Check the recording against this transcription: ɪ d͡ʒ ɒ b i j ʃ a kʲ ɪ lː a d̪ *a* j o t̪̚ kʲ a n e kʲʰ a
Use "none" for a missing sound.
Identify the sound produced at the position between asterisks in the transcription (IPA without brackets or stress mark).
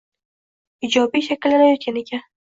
a